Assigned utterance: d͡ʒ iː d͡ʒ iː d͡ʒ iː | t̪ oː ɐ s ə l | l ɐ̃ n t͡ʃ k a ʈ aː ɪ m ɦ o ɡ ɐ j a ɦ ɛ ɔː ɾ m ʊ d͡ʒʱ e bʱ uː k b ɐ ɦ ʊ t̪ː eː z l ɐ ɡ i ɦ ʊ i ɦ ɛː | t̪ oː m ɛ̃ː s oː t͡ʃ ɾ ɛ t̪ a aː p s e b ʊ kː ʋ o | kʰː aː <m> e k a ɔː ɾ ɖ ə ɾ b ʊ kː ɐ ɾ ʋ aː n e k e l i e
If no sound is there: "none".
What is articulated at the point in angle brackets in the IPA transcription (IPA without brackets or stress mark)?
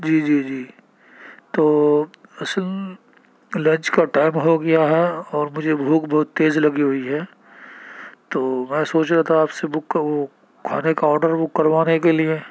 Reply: n